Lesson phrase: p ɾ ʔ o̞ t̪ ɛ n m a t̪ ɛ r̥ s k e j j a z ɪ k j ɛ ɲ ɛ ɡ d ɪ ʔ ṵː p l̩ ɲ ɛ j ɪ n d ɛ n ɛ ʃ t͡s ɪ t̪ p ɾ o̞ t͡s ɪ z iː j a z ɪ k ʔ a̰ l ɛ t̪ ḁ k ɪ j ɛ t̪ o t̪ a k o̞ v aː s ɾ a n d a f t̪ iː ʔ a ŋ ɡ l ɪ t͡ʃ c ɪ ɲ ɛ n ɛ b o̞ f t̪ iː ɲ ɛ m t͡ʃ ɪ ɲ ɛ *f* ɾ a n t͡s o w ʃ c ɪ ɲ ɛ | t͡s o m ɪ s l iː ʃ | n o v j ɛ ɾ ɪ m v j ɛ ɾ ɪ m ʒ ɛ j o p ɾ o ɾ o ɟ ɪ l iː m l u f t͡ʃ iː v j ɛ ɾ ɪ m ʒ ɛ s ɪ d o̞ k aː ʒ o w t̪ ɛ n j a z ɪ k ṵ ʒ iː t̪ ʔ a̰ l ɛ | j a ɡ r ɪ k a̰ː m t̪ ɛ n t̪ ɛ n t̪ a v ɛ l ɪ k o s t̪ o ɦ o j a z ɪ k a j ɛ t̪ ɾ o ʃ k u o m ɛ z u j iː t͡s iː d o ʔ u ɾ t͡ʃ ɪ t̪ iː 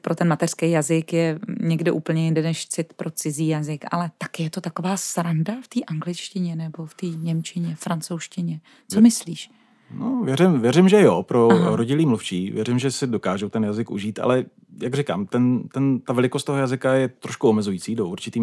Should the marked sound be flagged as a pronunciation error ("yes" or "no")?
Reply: no